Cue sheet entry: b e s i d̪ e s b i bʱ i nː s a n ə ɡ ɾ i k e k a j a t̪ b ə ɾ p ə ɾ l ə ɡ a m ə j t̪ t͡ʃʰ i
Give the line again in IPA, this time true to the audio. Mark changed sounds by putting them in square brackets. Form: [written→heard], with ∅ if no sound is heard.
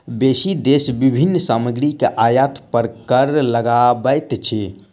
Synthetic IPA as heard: b e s i d̪ e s b i bʱ i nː s a [n→m] ə ɡ ɾ i k e [k→ʔ] a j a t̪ [b→p] ə ɾ [p→k] ə ɾ l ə ɡ a [m→b] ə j t̪ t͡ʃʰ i